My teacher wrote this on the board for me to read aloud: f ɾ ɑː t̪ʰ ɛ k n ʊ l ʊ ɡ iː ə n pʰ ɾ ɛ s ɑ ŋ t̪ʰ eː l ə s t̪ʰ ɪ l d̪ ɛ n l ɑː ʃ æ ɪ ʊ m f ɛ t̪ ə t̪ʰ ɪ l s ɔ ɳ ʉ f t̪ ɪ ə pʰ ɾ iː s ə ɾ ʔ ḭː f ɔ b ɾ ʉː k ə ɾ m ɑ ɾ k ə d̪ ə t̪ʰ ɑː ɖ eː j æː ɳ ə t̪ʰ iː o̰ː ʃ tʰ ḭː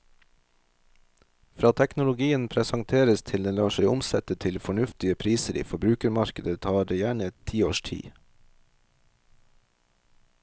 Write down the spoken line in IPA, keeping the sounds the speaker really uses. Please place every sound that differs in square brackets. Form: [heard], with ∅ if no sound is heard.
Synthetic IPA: f ɾ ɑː t̪ʰ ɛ k n ʊ l ʊ ɡ iː ə n pʰ ɾ ɛ s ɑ ŋ t̪ʰ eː [ɾ] ə s t̪ʰ ɪ l d̪ ɛ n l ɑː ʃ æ ɪ ʊ m [s] ɛ t̪ ə t̪ʰ ɪ l [f] ɔ ɳ ʉ f t̪ ɪ ə pʰ ɾ iː s ə ɾ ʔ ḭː f ɔ b ɾ ʉː k ə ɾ m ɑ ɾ k ə d̪ ə t̪ʰ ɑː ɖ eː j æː ɳ ə t̪ʰ iː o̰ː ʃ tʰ ḭː